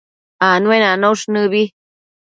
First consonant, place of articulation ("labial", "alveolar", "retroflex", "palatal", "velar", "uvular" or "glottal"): alveolar